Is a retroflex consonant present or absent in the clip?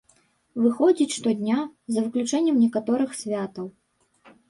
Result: present